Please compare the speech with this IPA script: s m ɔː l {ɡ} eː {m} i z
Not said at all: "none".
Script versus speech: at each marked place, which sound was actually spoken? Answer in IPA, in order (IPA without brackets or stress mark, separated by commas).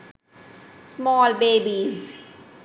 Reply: b, b